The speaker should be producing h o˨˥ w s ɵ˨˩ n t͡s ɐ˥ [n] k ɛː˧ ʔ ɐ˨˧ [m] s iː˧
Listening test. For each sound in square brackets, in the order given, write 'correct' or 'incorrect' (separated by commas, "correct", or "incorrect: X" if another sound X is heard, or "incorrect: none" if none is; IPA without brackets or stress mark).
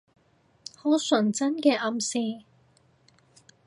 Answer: correct, correct